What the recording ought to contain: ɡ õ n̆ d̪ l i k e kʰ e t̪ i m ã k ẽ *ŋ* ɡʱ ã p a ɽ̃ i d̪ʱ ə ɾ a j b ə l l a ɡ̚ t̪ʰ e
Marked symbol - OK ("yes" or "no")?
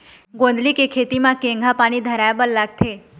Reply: yes